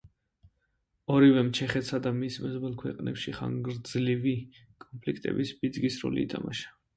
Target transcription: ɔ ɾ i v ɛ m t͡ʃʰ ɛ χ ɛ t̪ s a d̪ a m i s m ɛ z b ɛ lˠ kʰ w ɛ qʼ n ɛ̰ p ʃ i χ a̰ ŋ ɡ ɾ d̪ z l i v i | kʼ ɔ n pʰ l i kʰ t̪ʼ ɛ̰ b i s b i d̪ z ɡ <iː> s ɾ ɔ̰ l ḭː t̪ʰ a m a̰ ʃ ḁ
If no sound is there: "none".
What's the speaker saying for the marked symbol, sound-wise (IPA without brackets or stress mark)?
i